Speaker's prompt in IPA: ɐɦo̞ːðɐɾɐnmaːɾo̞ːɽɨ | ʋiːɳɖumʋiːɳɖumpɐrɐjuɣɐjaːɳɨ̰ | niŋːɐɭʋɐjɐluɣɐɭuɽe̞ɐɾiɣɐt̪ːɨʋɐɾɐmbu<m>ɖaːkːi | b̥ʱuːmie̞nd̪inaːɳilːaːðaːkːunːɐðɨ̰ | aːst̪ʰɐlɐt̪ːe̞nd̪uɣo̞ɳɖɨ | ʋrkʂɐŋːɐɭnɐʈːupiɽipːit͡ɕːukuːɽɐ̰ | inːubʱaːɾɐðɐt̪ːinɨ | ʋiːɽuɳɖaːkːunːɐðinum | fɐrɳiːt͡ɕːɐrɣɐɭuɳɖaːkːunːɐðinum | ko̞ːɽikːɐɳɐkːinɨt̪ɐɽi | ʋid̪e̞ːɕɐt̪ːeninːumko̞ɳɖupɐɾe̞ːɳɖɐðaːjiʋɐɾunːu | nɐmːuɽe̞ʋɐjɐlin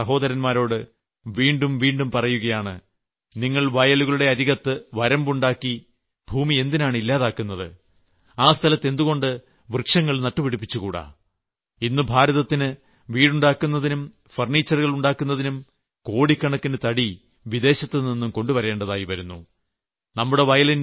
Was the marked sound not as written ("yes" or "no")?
yes